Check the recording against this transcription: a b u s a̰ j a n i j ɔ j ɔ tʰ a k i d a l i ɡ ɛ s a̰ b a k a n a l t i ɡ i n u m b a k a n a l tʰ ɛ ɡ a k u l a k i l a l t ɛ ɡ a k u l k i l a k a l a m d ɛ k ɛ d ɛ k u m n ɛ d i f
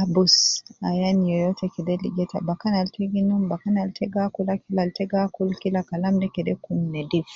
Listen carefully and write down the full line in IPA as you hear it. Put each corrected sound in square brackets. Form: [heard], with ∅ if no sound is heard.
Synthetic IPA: a b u s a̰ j a n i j ɔ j ɔ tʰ [ɛ] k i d [ɛ] l i ɡ ɛ [t] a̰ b a k a n a l t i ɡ i n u m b a k a n a l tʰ ɛ ɡ a k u l a k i l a l t ɛ ɡ a k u l k i l a k a l a m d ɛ k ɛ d ɛ k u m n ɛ d i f

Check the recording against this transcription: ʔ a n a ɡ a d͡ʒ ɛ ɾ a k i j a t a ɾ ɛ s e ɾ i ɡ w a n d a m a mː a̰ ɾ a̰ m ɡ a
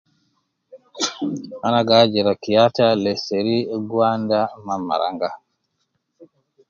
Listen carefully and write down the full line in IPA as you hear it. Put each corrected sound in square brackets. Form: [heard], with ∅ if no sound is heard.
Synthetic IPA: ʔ a n a ɡ a d͡ʒ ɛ ɾ a k i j a t a [l] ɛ s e ɾ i ɡ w a n d a m a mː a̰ ɾ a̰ [ŋ] ɡ a

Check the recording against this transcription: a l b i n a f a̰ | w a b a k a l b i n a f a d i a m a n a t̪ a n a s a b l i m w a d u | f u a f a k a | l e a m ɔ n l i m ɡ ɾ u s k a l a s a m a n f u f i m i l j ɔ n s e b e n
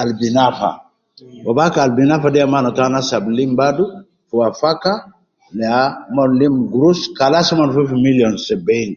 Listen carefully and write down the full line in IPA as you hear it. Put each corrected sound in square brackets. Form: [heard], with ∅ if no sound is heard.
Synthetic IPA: a l b i n a f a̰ | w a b a k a l b i n a f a d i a m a n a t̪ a n a s a b l i m [b] a d u | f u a f a k a | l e a m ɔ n l i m ɡ ɾ u s k a l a s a m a n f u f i m i l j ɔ n s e b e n

